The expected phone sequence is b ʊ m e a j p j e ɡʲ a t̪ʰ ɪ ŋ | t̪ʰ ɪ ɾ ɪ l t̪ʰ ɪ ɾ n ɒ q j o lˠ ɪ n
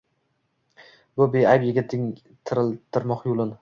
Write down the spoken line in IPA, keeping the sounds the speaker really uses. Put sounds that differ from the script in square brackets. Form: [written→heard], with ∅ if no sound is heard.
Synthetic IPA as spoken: b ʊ [m→b] e a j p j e ɡʲ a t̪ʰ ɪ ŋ | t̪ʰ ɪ ɾ ɪ l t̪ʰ ɪ ɾ [n→m] ɒ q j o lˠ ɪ n

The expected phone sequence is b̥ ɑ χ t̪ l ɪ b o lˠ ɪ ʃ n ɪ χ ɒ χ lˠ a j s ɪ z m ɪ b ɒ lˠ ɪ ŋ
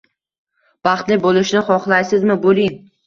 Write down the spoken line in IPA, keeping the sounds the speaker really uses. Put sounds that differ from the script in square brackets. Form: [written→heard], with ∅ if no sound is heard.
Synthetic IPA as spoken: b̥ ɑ χ t̪ l ɪ b o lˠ ɪ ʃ n ɪ χ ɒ χ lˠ a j s ɪ z m ɪ b [ɒ→o] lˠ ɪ ŋ

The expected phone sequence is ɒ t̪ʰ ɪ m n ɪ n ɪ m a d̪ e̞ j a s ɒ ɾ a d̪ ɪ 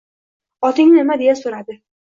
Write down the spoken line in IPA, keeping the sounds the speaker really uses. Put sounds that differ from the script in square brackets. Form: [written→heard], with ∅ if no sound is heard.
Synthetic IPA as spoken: ɒ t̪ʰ ɪ [m→ŋ] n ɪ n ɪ m a d̪ e̞ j a s [ɒ→o] ɾ a d̪ ɪ

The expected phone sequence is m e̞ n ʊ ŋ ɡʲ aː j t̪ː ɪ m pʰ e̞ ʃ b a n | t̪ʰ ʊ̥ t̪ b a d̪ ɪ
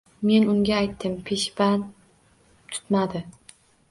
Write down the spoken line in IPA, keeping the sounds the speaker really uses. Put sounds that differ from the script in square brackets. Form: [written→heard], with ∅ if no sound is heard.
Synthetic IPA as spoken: m e̞ n ʊ ŋ ɡʲ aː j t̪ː ɪ m pʰ e̞ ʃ b a n | t̪ʰ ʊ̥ t̪ [b→m] a d̪ ɪ

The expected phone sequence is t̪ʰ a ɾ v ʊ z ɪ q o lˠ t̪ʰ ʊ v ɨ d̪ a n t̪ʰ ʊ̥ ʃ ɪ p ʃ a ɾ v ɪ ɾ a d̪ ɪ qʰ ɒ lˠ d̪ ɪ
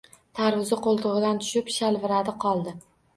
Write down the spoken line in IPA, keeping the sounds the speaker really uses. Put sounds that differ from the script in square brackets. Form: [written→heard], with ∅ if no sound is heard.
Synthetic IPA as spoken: t̪ʰ a ɾ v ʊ z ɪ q o lˠ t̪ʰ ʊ [v→ʁ] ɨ d̪ a n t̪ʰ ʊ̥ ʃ ɪ p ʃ a [ɾ→l] v ɪ ɾ a d̪ ɪ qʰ ɒ lˠ d̪ ɪ

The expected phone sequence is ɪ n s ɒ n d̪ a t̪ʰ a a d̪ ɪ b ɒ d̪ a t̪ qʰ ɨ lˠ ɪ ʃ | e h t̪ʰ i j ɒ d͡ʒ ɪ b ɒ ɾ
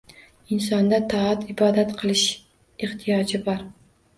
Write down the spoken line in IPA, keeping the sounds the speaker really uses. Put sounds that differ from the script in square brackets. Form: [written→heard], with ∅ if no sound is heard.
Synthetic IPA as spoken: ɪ n s ɒ n d̪ a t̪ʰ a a [d̪→t̪] ɪ b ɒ d̪ a t̪ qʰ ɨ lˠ ɪ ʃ | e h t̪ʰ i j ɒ d͡ʒ ɪ b ɒ ɾ

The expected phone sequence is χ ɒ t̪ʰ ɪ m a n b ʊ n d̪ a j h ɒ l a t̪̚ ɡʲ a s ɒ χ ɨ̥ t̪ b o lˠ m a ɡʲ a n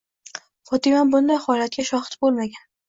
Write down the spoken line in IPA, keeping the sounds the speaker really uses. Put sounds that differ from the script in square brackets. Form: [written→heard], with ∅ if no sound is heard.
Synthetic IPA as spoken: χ ɒ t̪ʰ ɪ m a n b ʊ n d̪ a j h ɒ l a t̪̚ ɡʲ a [s→ʃ] ɒ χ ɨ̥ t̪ b o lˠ m a ɡʲ a n

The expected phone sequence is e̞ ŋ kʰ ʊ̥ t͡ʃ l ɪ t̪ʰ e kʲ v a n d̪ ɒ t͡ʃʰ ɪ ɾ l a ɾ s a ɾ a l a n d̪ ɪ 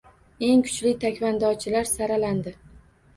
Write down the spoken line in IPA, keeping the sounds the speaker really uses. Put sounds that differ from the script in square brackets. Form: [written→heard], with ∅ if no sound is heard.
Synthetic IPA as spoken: e̞ ŋ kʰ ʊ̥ t͡ʃ l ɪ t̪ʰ [e→a] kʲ v a n d̪ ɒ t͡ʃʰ ɪ [ɾ→∅] l a ɾ s a ɾ a l a n d̪ ɪ

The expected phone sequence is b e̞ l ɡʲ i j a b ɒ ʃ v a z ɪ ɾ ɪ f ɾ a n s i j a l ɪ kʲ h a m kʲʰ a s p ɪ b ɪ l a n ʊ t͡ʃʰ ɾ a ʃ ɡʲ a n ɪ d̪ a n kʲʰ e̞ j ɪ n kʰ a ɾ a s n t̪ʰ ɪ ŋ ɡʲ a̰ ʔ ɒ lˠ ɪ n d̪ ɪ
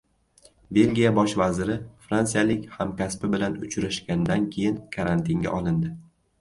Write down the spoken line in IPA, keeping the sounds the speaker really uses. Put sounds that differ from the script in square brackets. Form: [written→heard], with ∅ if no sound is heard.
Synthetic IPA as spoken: b e̞ l ɡʲ i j a b ɒ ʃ v a z ɪ ɾ ɪ f ɾ a n s i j a l ɪ kʲ h a m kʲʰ a s p ɪ b ɪ l a n ʊ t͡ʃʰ ɾ a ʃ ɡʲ a n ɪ d̪ a n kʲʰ e̞ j ɪ n kʰ a ɾ a [s→∅] n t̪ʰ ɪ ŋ ɡʲ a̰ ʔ ɒ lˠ ɪ n d̪ ɪ

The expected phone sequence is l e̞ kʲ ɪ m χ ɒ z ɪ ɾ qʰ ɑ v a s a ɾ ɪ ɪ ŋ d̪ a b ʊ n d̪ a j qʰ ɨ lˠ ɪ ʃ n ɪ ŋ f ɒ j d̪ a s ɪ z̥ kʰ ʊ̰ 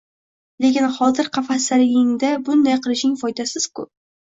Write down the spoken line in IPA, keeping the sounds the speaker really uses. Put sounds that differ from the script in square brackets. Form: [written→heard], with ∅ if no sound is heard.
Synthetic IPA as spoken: l e̞ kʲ ɪ [m→n] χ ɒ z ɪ ɾ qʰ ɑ [v→f] a s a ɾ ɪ ɪ ŋ d̪ a b ʊ n d̪ a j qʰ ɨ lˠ ɪ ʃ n ɪ ŋ f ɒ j d̪ a s ɪ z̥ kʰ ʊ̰

